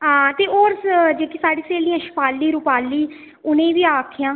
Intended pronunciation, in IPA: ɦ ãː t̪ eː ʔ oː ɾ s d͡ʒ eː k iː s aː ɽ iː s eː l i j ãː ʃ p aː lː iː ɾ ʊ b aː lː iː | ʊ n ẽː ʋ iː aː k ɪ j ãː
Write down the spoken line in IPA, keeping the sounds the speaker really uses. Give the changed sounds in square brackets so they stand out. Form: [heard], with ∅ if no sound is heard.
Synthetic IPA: ɦ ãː t̪ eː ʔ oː ɾ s d͡ʒ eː k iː s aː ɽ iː s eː l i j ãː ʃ p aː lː iː ɾ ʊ [p] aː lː iː | ʊ n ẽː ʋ iː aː [kʰ] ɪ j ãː